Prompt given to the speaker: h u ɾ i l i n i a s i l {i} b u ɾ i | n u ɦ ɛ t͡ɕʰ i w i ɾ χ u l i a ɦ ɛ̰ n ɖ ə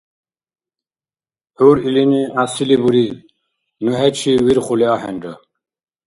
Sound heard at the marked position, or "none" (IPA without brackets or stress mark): i